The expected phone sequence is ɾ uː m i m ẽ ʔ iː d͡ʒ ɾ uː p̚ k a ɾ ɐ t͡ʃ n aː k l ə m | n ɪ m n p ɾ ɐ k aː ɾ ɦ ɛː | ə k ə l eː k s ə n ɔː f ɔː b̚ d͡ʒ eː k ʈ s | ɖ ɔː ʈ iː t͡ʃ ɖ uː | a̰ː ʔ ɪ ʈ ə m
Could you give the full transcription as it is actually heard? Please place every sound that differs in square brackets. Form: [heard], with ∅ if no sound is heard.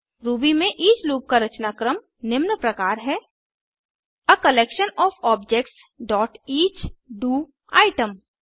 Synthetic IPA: ɾ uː [b] i m ẽ ʔ iː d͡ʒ [l] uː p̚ k a ɾ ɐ t͡ʃ n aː k [ɾ] ə m | n ɪ m n p ɾ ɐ k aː ɾ ɦ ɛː | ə k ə l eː k [ʃ] ə n ɔː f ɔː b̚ d͡ʒ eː k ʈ s | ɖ ɔː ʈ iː t͡ʃ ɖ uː | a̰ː [∅] ɪ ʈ ə m